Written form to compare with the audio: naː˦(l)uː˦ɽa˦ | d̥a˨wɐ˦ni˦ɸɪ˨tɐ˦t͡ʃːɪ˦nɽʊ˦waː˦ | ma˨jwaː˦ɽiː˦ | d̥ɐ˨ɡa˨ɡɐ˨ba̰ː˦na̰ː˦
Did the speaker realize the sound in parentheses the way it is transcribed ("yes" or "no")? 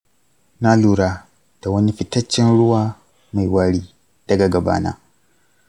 yes